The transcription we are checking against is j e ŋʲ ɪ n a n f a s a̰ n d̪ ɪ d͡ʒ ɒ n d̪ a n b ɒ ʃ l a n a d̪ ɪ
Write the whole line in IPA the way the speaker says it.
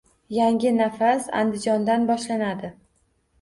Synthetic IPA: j a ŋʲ ɪ n a f a s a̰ n d̪ ɪ d͡ʒ ɒ n d̪ a n b ɒ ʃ l a n a d̪ ɪ